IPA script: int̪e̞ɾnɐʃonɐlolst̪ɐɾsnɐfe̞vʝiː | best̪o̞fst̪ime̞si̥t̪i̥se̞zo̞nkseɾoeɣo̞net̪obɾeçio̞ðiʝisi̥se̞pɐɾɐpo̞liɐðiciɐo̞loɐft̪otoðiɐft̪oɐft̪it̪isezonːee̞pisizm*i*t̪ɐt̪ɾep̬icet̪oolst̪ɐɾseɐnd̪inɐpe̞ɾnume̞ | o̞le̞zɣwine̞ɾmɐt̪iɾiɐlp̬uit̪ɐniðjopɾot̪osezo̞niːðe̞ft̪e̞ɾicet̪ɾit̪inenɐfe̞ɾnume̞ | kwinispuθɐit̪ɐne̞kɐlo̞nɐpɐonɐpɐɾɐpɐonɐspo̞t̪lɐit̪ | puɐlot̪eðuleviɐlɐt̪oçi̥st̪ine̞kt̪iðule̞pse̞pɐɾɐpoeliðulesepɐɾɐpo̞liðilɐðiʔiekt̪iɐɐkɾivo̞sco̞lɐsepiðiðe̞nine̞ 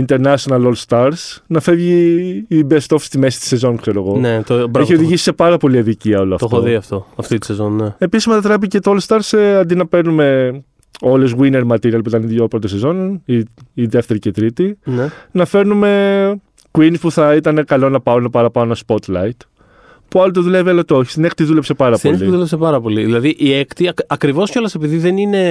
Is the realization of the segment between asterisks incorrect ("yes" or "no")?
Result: yes